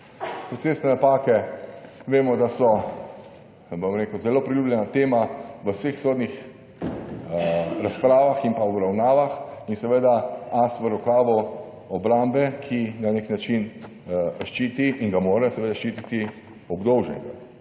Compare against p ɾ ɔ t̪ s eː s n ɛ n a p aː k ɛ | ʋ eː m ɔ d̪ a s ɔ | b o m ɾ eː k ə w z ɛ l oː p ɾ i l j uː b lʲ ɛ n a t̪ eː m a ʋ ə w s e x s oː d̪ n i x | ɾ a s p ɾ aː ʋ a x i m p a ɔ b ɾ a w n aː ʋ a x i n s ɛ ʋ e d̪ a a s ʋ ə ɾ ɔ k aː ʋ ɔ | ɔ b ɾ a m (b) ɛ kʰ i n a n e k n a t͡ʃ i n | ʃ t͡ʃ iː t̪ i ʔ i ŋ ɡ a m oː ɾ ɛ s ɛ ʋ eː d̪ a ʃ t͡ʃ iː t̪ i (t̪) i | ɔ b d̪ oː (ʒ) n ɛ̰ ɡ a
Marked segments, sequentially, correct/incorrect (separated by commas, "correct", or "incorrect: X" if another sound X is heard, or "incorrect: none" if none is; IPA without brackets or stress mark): correct, correct, correct